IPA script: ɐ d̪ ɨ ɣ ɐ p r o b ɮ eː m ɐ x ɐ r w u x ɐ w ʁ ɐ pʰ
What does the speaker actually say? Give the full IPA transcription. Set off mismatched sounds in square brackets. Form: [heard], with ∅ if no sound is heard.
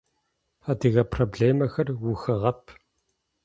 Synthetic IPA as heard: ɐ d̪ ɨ ɣ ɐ p r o b ɮ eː m ɐ x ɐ r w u x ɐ [∅] ʁ ɐ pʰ

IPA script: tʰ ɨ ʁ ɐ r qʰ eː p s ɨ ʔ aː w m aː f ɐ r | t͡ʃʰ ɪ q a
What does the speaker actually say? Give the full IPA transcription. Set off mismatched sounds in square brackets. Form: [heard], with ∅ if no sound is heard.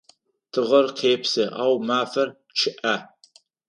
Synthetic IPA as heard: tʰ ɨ ʁ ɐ r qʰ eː p s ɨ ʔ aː w m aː f ɐ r | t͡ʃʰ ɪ [ʔ] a

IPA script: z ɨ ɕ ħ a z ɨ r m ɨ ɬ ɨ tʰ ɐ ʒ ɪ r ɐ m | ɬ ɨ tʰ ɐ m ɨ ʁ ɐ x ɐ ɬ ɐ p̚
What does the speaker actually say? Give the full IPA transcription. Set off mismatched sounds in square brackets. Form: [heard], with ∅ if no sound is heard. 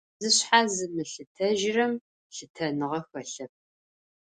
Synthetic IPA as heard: z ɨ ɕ ħ a z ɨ [∅] m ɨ ɬ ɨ tʰ ɐ ʒ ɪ r ɐ m | ɬ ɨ tʰ ɐ [n] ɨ ʁ ɐ x ɐ ɬ ɐ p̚

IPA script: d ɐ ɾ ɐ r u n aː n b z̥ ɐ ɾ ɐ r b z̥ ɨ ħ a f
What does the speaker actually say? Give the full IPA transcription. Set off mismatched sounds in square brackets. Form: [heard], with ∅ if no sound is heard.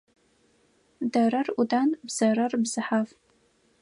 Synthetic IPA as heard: d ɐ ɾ ɐ r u [d] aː n b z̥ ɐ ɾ ɐ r b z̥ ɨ ħ a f

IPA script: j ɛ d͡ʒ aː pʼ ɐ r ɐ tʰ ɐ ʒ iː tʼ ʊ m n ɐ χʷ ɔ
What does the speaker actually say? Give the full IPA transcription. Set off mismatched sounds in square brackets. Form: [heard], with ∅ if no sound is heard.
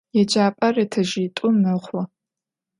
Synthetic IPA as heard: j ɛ d͡ʒ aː pʼ ɐ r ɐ tʰ ɐ ʒ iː tʼ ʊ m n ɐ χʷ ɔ

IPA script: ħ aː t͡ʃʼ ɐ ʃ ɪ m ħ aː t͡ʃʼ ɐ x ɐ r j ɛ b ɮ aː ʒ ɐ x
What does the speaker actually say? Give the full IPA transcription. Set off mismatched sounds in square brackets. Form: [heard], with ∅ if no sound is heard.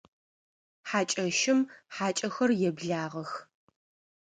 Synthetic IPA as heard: ħ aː t͡ʃʼ ɐ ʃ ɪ m ħ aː t͡ʃʼ ɐ x ɐ r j ɛ b ɮ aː [ʁ] ɐ x

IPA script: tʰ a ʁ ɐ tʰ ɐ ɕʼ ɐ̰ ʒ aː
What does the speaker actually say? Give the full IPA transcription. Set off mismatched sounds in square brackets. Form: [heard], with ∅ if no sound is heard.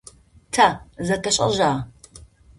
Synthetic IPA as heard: tʰ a [z] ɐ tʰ ɐ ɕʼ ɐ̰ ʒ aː

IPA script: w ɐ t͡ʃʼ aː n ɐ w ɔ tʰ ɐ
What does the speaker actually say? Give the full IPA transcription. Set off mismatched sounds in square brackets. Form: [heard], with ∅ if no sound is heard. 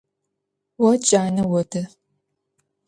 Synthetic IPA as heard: w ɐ t͡ʃʼ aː n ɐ w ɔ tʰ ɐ

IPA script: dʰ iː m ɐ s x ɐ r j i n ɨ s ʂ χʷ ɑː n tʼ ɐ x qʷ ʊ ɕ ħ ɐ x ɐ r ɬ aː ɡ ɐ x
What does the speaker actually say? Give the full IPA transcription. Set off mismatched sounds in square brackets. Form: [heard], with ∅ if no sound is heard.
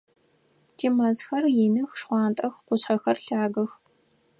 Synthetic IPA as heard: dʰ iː m ɐ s x ɐ r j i n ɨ [x] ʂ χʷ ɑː n tʼ ɐ x qʷ ʊ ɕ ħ ɐ x ɐ r ɬ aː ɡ ɐ x

